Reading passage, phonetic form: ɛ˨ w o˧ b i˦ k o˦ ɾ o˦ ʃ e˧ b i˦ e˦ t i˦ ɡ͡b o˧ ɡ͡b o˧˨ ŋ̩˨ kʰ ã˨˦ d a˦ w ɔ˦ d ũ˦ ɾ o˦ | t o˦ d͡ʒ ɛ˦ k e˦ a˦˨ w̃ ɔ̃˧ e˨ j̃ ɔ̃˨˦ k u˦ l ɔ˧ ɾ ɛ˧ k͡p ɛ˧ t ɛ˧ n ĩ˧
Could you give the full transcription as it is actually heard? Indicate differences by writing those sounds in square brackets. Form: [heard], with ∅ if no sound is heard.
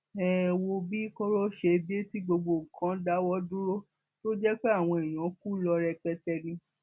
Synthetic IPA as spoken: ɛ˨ w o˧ b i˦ k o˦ ɾ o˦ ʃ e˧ b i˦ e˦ t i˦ ɡ͡b o˧ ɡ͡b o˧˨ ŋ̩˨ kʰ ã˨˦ d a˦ w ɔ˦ d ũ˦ ɾ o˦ | t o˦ d͡ʒ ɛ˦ [k͡p] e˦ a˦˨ w̃ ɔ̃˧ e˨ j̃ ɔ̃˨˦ k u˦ l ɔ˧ ɾ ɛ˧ k͡p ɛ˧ t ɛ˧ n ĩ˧